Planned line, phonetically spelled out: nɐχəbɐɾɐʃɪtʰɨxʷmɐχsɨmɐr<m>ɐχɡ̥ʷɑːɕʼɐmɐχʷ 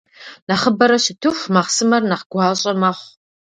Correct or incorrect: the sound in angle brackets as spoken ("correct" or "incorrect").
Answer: incorrect